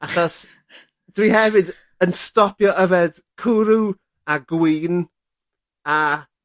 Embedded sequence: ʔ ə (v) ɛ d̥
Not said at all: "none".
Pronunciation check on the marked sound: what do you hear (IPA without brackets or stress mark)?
v